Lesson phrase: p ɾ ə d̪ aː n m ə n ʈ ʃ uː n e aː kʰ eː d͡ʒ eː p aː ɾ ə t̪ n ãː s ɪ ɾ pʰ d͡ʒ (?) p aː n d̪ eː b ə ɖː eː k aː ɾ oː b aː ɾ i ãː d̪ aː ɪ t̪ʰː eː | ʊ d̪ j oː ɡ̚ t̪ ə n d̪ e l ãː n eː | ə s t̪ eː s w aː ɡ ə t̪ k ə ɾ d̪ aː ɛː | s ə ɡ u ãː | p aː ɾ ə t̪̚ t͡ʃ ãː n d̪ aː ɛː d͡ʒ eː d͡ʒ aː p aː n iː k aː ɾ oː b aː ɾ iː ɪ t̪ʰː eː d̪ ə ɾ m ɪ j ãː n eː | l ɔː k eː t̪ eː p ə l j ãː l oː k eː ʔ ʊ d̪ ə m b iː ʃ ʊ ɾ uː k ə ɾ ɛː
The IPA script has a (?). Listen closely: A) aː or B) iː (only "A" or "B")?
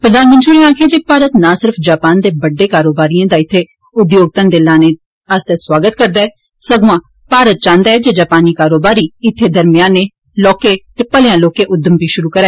A